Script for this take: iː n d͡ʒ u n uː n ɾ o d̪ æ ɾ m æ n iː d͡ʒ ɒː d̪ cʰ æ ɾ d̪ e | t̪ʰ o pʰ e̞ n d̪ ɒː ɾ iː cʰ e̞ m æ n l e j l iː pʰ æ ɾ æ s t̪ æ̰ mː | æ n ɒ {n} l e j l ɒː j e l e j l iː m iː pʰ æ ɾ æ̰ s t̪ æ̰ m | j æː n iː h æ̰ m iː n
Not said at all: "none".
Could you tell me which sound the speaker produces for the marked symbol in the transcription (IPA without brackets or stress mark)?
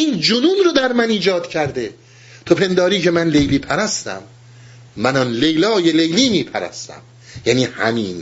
n